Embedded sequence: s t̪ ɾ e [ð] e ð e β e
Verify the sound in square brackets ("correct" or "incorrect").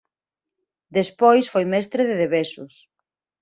correct